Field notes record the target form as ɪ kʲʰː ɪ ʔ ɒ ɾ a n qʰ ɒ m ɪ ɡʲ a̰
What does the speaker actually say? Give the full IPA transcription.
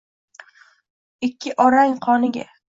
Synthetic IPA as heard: ɪ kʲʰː ɪ ʔ ɒ ɾ a ŋ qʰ ɒ n ɪ ɡʲ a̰

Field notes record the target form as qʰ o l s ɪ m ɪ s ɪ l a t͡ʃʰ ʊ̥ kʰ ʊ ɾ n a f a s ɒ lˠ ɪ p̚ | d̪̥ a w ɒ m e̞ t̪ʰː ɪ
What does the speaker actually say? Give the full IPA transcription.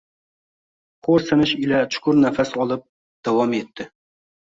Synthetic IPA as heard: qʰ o ɾ s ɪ n ɪ ʃ ɪ l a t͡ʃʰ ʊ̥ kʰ ʊ ɾ n a f a s ɒ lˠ ɪ p̚ | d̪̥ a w ɒ m e̞ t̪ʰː ɪ

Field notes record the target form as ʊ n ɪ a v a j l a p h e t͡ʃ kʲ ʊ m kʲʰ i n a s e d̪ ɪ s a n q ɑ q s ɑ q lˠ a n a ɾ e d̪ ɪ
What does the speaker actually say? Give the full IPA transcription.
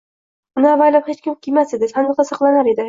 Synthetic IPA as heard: ʊ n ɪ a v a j l a p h e t͡ʃ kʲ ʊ m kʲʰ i m a s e d̪ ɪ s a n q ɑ s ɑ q lˠ a n a ɾ e d̪ ɪ

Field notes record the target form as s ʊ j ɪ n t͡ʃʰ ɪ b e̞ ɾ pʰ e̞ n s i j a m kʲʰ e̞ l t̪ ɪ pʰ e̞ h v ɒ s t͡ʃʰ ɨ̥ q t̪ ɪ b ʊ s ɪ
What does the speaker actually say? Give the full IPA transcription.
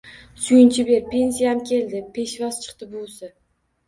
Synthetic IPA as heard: s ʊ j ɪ n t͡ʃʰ ɪ b e̞ ɾ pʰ e̞ n s i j a m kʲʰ e̞ l d̪ ɪ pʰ e̞ ʃ v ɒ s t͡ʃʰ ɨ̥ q t̪ ɪ b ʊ s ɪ

